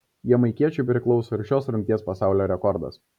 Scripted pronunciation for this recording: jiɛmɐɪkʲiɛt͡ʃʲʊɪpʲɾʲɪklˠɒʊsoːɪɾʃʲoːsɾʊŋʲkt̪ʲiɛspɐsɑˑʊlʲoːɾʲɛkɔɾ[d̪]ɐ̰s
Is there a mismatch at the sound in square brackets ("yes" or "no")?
no